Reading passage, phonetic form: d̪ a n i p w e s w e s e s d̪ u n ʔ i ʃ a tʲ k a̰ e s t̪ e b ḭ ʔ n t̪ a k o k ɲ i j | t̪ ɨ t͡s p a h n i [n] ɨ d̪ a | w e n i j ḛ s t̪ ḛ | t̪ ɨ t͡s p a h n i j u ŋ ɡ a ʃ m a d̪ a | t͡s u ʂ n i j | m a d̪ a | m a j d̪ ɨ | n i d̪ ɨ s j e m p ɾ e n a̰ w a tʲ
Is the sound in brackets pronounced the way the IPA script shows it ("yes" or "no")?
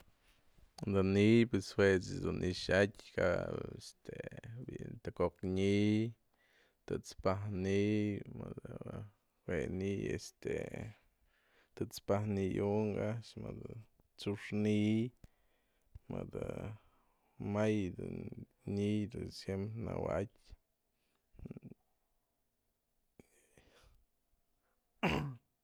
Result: no